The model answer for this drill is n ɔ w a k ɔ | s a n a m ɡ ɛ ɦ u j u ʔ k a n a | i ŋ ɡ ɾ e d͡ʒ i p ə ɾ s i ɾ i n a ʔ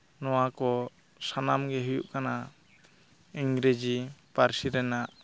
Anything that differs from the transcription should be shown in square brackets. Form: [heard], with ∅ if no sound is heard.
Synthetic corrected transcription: n ɔ w a k ɔ | s a n a m ɡ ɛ ɦ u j u ʔ k a n a | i ŋ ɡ ɾ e d͡ʒ i p [a] ɾ s i ɾ [ɛ] n a ʔ

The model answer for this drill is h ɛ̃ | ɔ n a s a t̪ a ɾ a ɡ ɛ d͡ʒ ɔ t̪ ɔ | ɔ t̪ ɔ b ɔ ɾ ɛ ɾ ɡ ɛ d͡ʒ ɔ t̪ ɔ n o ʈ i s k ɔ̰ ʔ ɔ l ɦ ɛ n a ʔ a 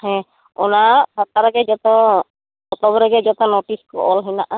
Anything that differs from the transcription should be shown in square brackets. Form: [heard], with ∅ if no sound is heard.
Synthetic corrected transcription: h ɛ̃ | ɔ n a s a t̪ a ɾ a ɡ ɛ d͡ʒ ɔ t̪ ɔ | ɔ t̪ ɔ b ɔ ɾ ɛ [∅] ɡ ɛ d͡ʒ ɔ t̪ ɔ n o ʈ i s k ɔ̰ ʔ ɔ l ɦ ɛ n a ʔ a

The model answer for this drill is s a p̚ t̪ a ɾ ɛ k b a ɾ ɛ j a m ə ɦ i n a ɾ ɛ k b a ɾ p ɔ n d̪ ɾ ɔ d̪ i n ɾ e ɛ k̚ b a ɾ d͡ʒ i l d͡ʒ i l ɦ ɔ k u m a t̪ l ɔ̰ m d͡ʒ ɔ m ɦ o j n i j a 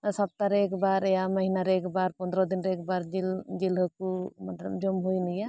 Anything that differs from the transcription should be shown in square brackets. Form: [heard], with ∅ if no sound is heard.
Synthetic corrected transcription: s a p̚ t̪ a ɾ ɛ k b a ɾ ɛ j a m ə ɦ i n a ɾ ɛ k b a ɾ p ɔ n d̪ ɾ ɔ d̪ i n ɾ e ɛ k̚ b a ɾ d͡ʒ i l d͡ʒ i l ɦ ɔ k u m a t̪ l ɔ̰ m d͡ʒ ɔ m ɦ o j n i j a

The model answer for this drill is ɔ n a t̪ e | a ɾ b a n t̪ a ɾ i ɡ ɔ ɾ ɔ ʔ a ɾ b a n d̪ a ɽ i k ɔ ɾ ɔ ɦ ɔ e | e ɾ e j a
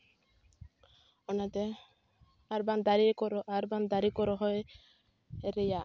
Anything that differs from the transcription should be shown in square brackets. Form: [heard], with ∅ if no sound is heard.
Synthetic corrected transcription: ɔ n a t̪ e | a ɾ b a n [d̪] a ɾ i [k] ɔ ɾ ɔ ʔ a ɾ b a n d̪ a [ɾ] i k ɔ ɾ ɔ ɦ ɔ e | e ɾ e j a

